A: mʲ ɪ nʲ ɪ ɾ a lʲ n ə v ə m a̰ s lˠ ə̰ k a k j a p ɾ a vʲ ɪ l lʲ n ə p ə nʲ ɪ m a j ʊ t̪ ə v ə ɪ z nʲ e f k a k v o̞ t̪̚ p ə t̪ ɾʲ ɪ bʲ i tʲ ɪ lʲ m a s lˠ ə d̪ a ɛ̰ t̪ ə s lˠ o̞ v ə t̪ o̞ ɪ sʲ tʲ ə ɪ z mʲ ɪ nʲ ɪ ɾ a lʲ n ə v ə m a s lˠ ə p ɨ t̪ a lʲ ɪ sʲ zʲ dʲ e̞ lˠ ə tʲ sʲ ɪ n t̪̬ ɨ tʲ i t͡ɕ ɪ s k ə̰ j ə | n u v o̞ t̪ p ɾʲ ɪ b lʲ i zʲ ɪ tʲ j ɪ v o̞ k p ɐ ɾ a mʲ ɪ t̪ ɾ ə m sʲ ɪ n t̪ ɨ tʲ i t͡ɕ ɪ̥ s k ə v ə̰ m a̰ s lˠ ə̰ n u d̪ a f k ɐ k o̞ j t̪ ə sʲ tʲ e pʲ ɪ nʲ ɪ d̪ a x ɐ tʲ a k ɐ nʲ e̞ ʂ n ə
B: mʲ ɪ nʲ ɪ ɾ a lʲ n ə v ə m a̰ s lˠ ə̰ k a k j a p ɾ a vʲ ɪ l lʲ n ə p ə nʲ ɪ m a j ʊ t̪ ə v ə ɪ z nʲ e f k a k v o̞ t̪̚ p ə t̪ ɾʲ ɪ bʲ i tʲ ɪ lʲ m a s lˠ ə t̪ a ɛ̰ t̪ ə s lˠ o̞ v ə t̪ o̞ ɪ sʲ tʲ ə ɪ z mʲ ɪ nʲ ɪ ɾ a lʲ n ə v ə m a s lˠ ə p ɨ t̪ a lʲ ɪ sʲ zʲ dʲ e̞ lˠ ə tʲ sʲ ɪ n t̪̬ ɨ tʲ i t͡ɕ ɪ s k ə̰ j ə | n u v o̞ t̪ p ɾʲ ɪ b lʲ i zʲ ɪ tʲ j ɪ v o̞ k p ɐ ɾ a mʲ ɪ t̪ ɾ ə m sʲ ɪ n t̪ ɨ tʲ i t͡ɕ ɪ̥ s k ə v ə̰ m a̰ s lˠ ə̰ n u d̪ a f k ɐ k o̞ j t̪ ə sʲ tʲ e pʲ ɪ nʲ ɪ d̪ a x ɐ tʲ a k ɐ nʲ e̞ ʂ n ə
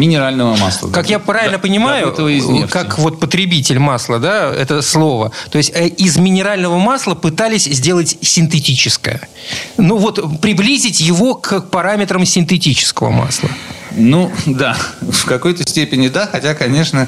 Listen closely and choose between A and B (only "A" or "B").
A